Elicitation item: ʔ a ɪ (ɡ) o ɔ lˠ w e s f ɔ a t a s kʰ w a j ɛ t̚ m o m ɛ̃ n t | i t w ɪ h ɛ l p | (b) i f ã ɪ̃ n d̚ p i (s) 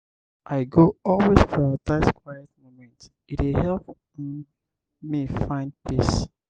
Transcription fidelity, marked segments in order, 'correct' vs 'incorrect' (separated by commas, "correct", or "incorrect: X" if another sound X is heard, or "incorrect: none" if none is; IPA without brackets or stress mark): correct, incorrect: m, correct